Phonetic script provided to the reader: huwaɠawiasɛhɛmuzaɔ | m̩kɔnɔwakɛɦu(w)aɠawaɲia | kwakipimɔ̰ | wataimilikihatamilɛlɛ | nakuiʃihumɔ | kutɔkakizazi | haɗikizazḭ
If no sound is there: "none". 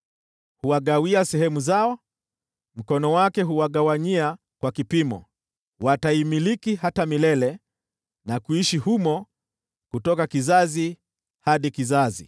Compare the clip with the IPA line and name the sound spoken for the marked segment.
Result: w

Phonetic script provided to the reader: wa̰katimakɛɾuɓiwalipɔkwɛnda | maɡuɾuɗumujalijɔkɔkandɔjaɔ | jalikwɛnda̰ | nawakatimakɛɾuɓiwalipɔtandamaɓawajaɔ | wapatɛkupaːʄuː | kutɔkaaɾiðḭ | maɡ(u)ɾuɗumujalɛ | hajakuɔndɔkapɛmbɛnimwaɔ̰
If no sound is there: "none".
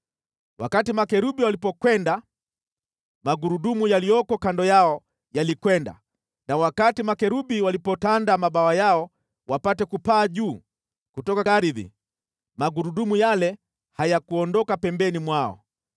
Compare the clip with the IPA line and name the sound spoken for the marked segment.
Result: u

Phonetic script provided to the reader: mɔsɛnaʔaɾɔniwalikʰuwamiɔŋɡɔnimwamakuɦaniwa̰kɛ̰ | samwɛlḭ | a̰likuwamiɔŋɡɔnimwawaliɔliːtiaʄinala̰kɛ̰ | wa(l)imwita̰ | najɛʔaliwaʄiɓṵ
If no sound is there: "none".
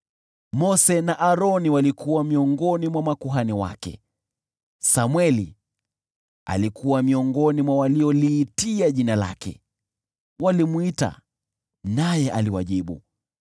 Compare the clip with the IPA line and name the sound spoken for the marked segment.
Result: l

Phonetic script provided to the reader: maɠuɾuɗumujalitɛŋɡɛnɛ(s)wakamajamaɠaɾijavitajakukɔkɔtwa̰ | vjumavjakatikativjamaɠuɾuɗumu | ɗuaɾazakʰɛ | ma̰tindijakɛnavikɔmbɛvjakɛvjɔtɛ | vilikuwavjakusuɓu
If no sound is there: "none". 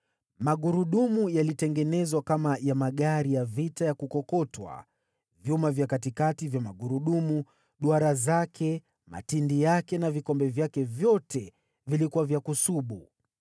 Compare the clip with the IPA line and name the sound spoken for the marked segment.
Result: z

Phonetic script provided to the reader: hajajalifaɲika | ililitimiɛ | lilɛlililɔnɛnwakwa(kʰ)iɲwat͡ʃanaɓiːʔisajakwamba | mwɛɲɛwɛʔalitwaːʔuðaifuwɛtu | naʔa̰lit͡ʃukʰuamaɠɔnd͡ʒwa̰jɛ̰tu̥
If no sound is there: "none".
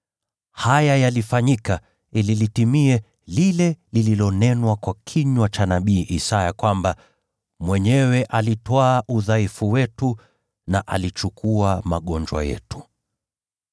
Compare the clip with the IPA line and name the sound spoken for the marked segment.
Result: kʰ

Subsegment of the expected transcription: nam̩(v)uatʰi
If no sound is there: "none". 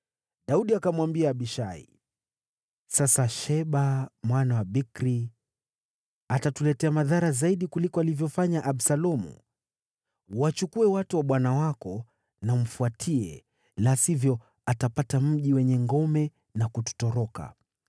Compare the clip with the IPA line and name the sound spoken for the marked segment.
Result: f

